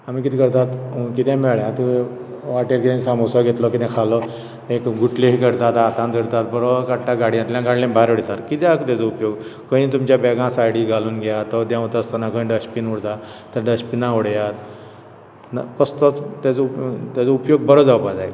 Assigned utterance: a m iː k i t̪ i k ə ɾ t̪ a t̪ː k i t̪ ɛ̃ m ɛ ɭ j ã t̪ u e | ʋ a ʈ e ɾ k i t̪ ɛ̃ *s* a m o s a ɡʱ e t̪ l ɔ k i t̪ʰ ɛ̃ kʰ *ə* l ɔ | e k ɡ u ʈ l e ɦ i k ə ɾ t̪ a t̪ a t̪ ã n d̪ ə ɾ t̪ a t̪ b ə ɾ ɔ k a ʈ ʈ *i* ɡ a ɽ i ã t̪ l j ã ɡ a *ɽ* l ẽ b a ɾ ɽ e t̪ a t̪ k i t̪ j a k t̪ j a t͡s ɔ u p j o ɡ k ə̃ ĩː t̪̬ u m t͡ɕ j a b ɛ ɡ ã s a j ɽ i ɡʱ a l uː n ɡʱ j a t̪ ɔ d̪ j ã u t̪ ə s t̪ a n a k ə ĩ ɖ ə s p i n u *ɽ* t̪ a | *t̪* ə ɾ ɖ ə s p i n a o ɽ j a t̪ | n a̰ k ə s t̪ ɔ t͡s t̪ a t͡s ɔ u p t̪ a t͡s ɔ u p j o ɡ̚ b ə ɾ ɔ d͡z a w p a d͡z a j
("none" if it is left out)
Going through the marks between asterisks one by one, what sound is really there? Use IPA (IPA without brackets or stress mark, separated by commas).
s, a, a, ɽ, ɽ, t̪